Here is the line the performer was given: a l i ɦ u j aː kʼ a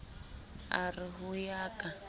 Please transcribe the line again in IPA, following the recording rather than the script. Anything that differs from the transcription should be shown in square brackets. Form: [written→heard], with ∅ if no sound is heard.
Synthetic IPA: a [l→r] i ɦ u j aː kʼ a